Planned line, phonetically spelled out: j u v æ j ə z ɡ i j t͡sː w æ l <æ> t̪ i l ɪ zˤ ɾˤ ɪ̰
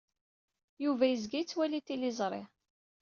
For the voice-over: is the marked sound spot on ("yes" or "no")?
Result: no